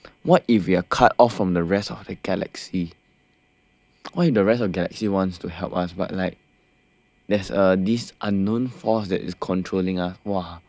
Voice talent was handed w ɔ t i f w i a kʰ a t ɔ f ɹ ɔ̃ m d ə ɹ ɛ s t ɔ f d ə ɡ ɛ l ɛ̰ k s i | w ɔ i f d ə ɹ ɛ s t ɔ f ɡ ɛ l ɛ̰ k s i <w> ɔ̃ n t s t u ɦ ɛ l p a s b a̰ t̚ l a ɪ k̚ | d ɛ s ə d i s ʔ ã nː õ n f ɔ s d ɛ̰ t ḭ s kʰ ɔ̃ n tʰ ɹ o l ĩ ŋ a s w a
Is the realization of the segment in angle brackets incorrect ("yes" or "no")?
no